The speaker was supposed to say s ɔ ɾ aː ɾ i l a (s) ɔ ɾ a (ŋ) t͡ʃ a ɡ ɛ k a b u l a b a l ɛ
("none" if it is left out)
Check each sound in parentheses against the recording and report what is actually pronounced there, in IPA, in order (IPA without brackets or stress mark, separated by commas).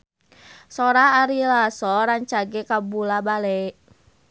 s, ɲ